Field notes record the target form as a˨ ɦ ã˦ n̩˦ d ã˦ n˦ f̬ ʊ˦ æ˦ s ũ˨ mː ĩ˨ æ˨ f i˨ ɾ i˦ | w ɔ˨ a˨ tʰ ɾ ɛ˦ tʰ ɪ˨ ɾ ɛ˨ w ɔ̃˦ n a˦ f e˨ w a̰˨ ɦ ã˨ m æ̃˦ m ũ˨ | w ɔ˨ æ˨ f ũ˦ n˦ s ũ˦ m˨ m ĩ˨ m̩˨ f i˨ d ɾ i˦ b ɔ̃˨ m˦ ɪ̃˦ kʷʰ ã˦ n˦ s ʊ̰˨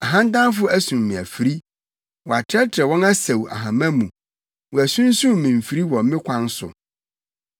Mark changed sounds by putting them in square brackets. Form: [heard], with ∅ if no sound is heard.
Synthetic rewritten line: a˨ ɦ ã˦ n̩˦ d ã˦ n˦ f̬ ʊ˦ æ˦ s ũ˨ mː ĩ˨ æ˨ f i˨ ɾ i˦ | w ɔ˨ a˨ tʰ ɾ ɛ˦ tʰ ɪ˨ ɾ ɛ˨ w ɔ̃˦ n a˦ [s] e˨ w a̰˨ ɦ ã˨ m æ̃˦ m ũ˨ | w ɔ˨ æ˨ [s] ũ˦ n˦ s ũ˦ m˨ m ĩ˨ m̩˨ f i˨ [∅] ɾ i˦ [w] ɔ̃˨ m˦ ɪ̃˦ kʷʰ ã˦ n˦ s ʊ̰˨